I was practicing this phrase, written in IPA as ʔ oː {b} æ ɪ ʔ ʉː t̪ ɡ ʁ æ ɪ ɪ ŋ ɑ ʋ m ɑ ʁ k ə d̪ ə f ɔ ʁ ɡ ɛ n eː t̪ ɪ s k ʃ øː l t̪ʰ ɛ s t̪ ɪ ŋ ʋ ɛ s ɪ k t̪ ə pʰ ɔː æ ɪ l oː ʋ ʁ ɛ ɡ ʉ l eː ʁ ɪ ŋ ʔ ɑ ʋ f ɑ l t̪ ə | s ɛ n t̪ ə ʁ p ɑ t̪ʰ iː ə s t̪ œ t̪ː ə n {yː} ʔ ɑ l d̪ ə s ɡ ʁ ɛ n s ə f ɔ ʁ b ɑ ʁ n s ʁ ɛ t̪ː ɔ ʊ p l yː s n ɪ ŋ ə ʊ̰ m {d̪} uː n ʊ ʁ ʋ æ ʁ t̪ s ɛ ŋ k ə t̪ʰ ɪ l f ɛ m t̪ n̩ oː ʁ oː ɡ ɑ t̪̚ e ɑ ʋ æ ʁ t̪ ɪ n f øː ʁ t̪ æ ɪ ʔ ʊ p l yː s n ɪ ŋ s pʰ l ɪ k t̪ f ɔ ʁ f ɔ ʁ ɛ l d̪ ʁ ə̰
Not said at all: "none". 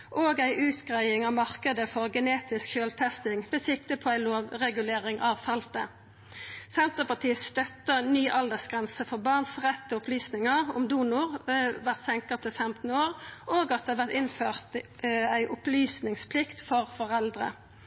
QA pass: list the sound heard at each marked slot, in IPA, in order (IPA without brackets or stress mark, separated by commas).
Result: ɡ, yː, d̪